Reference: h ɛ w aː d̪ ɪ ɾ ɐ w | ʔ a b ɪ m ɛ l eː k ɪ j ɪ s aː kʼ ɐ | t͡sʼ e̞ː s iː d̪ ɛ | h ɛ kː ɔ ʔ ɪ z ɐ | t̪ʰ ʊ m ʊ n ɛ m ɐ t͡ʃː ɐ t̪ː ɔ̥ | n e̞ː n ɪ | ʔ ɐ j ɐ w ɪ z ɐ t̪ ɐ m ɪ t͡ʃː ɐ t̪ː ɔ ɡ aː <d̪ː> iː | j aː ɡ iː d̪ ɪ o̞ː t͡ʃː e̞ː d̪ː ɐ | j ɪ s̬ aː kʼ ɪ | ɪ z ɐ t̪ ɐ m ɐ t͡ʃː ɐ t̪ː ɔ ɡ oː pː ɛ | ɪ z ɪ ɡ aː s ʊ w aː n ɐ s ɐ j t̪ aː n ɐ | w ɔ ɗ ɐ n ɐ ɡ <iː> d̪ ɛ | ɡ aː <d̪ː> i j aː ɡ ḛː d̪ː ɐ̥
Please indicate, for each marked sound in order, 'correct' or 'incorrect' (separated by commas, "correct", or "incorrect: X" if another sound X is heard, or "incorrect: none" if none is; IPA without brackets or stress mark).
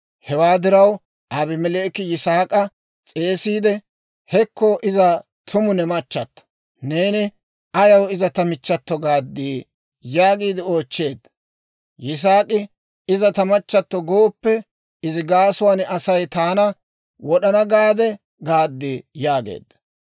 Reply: correct, incorrect: aː, correct